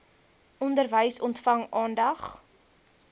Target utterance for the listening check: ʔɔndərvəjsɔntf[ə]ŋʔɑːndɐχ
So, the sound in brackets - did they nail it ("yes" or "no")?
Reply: no